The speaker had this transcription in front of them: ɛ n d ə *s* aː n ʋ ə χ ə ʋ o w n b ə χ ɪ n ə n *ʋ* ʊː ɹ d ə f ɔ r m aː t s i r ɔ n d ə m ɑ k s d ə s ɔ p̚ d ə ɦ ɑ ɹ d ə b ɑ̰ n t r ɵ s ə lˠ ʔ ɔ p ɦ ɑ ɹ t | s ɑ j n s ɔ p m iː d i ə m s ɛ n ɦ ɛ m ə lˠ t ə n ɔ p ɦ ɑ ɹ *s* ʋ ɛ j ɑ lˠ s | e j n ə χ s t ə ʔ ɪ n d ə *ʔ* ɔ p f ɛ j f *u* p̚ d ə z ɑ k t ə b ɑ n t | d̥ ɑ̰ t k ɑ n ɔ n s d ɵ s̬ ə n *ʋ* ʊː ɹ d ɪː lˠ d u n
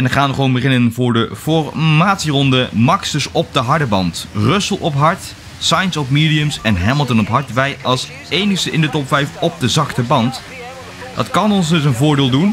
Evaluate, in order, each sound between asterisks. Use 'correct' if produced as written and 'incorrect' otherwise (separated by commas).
incorrect, incorrect, incorrect, incorrect, incorrect, incorrect